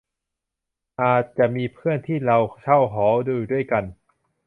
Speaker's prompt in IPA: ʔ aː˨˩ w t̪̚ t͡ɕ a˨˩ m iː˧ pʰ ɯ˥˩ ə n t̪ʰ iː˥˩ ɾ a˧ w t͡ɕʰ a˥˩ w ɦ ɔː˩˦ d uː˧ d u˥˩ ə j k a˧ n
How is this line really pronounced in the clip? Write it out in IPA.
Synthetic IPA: ʔ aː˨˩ t̪̚ t͡ɕ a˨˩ m iː˧ pʰ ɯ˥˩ ə n t̪ʰ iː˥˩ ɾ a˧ w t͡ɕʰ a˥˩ w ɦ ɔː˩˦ d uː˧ d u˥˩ ə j k a˧ n